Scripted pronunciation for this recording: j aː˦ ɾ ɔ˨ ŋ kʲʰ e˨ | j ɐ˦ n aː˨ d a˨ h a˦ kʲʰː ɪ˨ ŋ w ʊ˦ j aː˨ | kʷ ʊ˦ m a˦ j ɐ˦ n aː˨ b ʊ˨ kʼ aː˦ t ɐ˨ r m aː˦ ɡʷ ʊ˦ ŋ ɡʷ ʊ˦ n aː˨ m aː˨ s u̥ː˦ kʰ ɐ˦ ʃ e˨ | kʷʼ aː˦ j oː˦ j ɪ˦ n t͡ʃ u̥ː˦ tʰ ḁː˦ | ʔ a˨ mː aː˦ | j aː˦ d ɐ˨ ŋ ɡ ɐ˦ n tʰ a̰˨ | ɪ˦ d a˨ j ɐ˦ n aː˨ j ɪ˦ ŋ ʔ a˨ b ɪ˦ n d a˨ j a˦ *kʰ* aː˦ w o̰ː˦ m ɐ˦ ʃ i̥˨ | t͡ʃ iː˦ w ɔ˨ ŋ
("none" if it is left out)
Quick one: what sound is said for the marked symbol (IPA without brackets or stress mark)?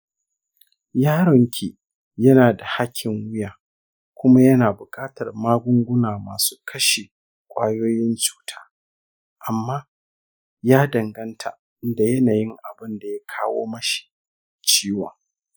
kʰ